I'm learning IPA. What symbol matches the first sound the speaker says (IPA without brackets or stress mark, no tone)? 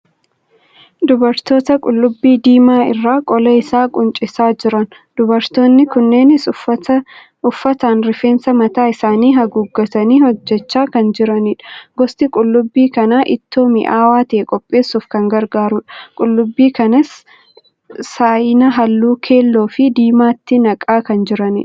d̪